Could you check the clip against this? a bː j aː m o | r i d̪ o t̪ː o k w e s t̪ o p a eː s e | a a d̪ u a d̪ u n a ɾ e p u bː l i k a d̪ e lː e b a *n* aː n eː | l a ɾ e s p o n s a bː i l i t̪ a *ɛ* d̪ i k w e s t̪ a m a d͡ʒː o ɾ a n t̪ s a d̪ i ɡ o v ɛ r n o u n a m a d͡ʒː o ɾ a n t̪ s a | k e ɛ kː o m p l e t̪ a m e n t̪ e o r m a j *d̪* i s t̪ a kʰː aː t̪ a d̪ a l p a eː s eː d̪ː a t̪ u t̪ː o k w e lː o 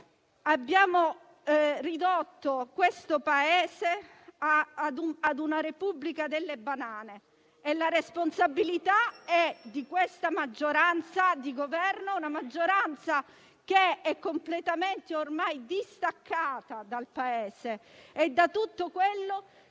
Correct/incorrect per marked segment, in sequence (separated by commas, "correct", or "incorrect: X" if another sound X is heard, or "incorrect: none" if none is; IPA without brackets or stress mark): correct, correct, correct